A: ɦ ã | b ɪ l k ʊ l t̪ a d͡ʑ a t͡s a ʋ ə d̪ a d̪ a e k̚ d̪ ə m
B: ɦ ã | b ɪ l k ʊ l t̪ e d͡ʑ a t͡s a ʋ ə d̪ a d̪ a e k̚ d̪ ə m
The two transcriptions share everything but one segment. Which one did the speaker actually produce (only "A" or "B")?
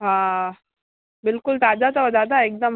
A